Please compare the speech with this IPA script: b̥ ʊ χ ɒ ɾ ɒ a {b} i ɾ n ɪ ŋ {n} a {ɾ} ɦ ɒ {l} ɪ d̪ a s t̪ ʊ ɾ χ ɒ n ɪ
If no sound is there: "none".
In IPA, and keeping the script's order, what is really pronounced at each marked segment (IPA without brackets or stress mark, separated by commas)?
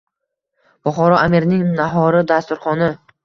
m, n, none, ɾ